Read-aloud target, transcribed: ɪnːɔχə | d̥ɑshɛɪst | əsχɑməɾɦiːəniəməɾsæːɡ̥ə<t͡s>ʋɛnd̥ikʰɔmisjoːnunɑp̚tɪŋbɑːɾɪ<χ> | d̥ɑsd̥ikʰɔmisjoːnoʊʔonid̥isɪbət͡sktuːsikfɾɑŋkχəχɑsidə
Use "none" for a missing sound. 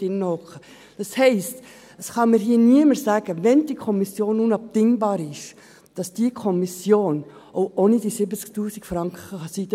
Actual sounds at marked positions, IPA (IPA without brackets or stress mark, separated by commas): none, ʃ